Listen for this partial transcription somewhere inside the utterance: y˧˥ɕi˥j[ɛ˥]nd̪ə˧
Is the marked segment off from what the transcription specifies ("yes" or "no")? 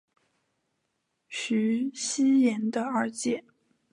yes